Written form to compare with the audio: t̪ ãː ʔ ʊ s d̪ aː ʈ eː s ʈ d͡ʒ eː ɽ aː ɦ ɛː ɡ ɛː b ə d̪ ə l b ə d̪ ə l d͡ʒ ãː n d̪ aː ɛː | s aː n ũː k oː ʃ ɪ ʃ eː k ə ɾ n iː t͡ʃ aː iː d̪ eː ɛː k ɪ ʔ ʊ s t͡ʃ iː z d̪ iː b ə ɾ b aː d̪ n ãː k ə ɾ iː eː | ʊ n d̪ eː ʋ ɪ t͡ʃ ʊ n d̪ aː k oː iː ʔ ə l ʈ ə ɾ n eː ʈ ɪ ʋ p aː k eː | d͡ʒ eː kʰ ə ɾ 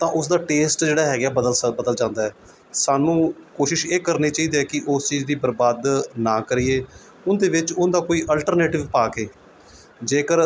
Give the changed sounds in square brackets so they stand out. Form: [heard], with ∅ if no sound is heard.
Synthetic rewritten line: t̪ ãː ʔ ʊ s d̪ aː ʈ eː s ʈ d͡ʒ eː ɽ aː ɦ ɛː ɡ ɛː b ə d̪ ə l b ə d̪ ə l d͡ʒ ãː n d̪ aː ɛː | s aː n ũː k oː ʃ ɪ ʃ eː k ə ɾ n iː t͡ʃ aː iː d̪ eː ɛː k ɪ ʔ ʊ s t͡ʃ iː z d̪ iː b ə ɾ b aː d̪ n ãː k ə ɾ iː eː | ʊ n d̪ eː ʋ ɪ t͡ʃ ʊ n d̪ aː k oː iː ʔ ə l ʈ ə ɾ n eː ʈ ɪ ʋ p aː k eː | d͡ʒ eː [k] ə ɾ